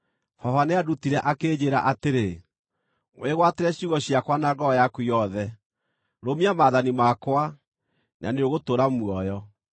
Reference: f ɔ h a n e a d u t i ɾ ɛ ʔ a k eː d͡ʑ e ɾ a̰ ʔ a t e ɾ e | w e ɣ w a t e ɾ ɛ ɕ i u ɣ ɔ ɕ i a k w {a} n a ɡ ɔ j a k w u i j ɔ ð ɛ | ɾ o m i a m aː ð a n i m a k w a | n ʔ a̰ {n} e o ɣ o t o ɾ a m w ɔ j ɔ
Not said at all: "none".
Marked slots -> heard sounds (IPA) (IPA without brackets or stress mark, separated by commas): a, n